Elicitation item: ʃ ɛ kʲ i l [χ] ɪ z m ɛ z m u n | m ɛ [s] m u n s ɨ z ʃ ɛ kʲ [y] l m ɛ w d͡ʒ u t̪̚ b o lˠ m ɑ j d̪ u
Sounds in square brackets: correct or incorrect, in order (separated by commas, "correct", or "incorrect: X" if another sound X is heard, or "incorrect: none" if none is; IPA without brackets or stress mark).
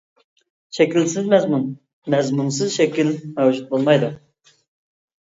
incorrect: s, incorrect: z, incorrect: i